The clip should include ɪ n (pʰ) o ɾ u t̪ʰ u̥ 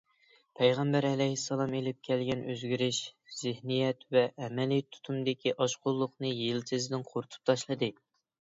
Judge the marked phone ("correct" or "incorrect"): incorrect